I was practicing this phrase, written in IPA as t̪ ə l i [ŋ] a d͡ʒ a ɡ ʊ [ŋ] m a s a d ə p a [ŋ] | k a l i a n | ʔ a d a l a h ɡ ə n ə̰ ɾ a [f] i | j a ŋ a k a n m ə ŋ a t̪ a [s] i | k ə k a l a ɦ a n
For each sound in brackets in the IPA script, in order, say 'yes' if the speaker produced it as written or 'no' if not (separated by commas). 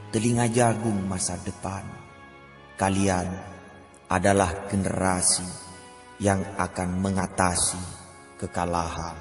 yes, yes, no, no, yes